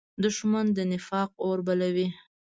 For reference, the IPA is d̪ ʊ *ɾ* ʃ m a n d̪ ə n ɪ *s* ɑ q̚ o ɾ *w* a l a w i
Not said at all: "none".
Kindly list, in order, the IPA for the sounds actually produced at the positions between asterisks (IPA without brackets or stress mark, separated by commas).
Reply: none, f, b